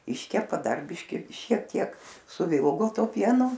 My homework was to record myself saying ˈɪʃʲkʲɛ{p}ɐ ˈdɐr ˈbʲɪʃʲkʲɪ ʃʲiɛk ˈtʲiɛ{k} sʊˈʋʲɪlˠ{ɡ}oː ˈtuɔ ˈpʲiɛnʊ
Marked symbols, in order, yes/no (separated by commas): yes, yes, yes